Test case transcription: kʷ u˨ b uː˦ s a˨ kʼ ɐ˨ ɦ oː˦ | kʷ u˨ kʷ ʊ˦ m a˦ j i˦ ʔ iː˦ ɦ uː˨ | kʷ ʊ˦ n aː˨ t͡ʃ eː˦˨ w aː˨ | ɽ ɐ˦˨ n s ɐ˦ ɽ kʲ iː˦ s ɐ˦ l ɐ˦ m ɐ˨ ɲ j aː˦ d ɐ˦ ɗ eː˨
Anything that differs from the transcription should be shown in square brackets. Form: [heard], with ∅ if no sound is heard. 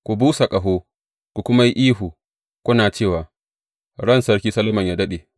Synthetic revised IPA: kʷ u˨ b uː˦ s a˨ kʼ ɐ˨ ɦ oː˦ | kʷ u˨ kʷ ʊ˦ m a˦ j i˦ ʔ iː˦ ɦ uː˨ | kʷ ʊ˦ n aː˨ t͡ʃ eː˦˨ w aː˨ | ɽ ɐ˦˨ n s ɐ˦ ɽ kʲ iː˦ s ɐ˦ l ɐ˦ m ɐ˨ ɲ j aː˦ d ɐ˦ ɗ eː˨